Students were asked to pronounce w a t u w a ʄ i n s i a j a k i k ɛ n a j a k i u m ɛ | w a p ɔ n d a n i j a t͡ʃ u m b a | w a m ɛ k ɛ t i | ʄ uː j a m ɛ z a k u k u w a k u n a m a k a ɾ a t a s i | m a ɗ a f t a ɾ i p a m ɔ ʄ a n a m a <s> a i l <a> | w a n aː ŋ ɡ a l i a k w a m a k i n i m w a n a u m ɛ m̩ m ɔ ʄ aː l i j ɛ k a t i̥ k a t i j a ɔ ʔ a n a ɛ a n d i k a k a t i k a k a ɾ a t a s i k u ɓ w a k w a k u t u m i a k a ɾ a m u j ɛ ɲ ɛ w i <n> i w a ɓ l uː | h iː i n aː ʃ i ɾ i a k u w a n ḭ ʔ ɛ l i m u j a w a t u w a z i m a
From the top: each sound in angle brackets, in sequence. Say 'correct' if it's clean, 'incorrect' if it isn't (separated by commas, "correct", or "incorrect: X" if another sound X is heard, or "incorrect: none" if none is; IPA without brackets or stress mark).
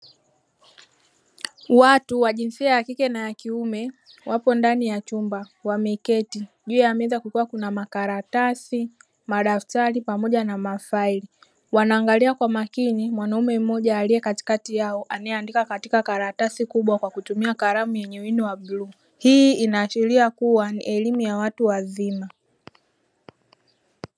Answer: incorrect: f, incorrect: i, correct